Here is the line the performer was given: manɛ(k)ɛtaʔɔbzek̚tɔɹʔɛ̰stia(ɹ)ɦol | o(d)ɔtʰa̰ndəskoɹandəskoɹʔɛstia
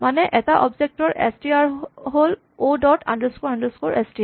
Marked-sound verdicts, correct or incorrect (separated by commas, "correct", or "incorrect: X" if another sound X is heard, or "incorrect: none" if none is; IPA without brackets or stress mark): incorrect: ʔ, correct, correct